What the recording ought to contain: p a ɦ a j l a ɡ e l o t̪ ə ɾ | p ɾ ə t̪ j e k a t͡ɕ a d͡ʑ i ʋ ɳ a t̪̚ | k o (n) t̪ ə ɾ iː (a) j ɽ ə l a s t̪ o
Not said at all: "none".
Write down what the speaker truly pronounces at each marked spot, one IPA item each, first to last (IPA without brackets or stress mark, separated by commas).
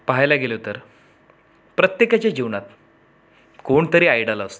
ɳ, a